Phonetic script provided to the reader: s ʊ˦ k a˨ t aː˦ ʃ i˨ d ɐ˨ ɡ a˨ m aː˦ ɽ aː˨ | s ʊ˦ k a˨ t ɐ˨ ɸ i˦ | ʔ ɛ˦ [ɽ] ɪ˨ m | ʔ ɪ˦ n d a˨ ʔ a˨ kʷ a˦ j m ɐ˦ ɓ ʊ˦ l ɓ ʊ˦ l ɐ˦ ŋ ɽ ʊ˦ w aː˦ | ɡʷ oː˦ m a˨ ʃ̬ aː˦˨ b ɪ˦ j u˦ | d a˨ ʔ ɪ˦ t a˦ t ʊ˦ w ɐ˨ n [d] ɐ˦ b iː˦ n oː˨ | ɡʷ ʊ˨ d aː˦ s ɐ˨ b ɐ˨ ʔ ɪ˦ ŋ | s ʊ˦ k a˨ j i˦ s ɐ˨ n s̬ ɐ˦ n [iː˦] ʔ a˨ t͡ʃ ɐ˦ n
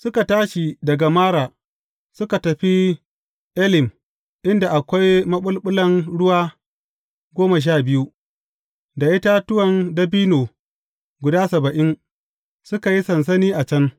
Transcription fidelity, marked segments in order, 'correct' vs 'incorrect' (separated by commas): incorrect, correct, correct